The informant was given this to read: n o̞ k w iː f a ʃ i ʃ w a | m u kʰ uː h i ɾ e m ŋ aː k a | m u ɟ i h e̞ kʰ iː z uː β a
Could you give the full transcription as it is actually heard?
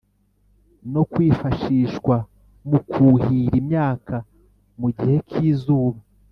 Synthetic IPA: n o̞ k w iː f a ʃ i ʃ w a | m u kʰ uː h i ɾ i m ɲ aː k a | m u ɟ i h e̞ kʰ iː z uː β a

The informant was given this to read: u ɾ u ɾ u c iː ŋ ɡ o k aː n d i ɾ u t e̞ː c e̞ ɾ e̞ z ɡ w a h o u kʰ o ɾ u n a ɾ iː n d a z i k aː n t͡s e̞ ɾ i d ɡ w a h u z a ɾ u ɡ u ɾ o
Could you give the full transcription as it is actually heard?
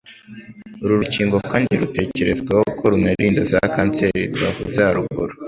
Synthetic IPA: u ɾ u ɾ u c iː ŋ ɡ o k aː n d i ɾ u t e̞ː c e̞ ɾ e̞ z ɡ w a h o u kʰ o ɾ u n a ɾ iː n d a z a k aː n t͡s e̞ ɾ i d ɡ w a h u z a ɾ u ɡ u ɾ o

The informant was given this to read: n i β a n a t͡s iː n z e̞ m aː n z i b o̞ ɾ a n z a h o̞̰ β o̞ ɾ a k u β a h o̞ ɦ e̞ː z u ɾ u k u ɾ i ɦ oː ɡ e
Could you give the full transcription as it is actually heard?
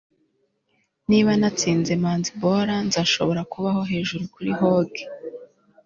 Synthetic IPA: n i β a n a t͡s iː n z e̞ m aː n z i b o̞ ɾ a n z a ʃ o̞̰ β o̞ ɾ a k u β a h o̞ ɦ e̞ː ʒ u ɾ u k u ɾ i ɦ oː ɡ e

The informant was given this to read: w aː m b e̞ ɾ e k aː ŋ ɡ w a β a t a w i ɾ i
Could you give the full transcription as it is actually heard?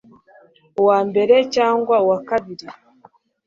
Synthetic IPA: w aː m b e̞ ɾ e c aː ŋ ɡ w a w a k a β i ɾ i

